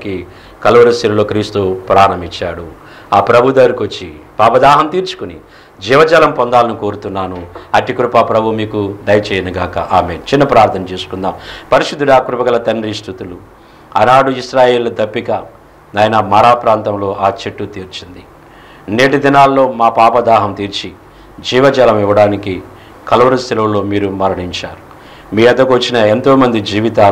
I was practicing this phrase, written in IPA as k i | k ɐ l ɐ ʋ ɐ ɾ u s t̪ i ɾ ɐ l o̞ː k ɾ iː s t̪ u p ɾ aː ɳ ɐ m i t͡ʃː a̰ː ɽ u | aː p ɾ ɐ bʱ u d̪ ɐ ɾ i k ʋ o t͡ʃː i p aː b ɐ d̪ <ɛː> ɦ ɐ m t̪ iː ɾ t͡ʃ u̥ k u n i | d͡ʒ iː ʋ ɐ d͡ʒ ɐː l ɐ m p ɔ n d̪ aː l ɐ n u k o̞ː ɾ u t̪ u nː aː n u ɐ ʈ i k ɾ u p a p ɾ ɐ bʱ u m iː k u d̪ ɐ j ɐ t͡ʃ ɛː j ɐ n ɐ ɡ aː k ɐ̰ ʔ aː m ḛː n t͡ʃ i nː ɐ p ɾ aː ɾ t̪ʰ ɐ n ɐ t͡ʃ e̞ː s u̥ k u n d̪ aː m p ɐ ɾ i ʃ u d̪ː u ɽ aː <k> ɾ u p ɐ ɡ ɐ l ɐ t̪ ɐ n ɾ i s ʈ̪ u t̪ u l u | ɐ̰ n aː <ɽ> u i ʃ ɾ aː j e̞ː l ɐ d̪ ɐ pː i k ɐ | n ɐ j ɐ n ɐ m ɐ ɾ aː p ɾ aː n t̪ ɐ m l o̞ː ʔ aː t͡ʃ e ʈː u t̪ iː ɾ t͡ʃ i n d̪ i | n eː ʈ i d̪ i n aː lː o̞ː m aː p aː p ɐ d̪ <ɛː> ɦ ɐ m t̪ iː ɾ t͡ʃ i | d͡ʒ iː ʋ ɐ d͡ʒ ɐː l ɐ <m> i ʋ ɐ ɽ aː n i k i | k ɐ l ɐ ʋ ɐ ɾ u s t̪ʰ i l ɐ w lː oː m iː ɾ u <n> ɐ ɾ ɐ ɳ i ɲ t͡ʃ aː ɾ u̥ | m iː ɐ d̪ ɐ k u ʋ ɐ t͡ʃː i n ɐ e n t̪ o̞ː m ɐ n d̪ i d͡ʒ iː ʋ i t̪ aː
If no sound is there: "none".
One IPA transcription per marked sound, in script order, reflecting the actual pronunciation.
aː, k, ɽ, aː, m, m

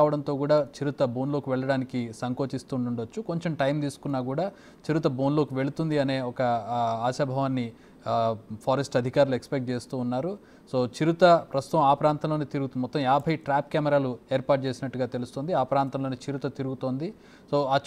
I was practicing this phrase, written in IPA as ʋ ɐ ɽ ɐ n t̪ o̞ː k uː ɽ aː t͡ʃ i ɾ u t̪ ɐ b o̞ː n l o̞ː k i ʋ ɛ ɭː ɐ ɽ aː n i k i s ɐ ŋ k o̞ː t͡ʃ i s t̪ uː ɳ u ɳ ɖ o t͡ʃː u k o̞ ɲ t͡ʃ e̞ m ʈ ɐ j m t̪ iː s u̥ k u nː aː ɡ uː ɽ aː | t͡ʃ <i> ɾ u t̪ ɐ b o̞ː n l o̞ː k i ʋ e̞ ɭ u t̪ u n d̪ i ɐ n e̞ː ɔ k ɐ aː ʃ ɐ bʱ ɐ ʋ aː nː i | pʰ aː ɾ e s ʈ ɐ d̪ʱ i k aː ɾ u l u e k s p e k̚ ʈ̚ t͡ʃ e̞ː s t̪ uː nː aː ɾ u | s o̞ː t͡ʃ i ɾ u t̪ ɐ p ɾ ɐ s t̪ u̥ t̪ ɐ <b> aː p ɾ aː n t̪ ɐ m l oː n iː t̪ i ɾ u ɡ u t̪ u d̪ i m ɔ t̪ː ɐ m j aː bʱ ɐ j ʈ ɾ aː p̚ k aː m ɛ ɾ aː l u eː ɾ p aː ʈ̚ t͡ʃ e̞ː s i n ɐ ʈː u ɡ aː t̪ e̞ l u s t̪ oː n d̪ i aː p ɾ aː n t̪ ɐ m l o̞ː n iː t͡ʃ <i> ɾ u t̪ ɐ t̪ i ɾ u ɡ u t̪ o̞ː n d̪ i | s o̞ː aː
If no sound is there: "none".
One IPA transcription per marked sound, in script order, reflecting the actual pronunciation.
i, m, i

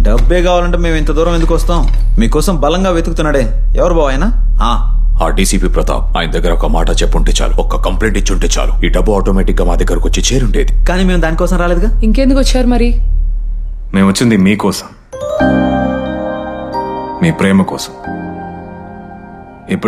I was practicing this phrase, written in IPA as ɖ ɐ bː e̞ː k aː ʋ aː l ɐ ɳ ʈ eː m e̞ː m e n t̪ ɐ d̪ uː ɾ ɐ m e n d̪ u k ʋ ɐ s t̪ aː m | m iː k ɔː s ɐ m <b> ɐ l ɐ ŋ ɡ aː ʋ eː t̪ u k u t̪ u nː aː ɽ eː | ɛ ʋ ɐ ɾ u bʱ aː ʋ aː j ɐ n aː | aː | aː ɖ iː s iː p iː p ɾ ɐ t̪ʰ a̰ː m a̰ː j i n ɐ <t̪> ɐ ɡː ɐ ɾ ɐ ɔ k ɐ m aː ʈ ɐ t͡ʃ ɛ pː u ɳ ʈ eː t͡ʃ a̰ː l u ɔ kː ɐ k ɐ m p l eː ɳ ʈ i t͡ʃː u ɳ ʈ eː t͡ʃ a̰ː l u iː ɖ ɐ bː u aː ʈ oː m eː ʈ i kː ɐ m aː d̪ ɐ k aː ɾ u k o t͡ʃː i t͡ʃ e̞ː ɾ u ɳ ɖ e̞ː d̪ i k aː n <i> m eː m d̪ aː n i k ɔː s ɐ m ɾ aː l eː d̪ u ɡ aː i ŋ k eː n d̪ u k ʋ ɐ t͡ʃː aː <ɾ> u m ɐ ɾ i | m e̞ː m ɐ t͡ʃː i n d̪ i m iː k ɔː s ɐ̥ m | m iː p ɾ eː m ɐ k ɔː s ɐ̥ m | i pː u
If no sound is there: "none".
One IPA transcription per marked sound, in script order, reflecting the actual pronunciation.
b, d̪, iː, ɾ

